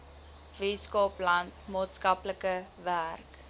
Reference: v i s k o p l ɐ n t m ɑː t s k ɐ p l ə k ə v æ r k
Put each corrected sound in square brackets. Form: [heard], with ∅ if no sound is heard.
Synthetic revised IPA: v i s k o p l ɐ n t m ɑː t s k ɐ p l ə k ə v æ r k